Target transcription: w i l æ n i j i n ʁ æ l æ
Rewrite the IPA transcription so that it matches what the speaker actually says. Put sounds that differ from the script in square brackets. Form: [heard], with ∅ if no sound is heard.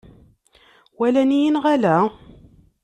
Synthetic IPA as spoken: w [æ] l æ n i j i n ʁ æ l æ